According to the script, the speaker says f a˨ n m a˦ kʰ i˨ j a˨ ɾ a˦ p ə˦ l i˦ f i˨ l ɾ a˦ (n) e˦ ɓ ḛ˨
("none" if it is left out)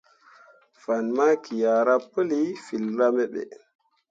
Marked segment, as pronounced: m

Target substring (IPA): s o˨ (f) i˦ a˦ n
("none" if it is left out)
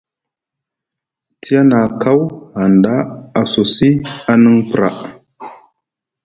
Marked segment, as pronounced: s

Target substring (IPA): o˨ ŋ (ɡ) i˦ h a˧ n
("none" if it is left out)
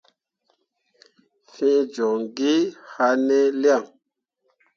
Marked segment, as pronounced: ɡ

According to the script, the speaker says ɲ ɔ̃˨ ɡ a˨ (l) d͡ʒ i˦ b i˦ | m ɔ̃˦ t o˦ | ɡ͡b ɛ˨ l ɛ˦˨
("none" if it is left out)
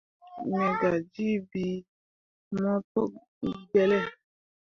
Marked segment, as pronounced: none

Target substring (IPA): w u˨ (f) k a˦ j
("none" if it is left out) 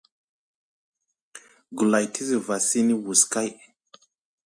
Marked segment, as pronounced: s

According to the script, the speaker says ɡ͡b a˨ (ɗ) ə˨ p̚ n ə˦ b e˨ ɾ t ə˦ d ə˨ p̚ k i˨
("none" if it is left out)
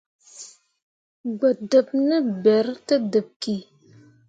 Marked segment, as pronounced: d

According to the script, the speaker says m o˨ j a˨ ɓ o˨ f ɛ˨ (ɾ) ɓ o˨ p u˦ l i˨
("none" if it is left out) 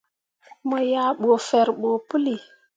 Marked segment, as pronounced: ɾ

